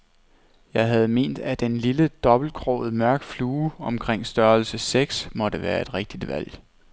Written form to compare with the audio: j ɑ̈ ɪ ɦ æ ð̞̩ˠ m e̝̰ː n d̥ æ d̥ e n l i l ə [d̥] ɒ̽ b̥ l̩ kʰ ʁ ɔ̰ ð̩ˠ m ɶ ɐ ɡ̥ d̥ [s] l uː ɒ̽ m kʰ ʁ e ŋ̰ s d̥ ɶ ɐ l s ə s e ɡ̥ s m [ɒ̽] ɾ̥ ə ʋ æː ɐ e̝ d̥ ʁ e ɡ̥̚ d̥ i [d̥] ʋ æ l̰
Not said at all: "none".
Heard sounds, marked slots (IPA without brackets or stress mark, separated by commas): d̥, f, ɒ̽, d̥